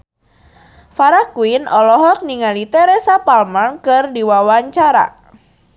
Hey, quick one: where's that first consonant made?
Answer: lips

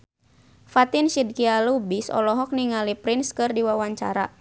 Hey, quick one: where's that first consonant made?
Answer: lips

